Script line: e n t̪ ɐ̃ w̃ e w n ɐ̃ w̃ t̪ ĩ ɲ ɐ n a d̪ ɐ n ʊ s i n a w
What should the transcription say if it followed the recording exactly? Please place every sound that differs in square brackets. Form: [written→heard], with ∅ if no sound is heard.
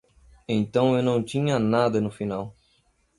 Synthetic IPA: [e→ẽ] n t̪ ɐ̃ w̃ e w n ɐ̃ w̃ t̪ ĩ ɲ ɐ n a d̪ ɐ n ʊ [s→f] i n a w